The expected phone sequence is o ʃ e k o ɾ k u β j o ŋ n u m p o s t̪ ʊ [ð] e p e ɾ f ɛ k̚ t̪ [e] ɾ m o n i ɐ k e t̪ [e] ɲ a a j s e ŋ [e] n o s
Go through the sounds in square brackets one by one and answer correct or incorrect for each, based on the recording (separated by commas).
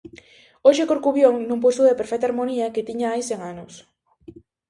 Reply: correct, incorrect, incorrect, incorrect